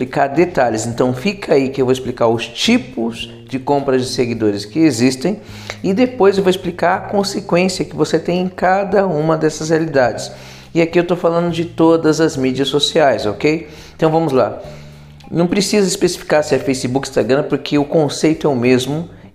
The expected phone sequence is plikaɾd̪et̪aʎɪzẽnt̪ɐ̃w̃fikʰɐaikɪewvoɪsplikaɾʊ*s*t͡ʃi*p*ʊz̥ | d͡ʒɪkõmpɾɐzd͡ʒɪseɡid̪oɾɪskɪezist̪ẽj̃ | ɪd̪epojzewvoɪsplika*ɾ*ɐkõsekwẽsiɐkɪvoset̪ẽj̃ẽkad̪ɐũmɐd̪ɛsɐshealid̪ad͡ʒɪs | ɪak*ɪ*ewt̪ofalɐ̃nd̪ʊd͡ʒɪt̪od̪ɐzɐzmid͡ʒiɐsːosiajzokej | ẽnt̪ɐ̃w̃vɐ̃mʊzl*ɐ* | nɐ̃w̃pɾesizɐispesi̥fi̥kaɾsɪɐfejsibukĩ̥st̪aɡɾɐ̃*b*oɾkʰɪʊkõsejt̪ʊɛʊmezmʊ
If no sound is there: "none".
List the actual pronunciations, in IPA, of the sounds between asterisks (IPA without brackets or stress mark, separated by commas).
s, p, ɾ, i, a, p